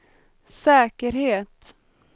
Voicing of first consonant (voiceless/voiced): voiceless